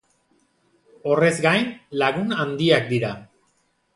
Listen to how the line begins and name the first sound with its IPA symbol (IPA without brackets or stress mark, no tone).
o̞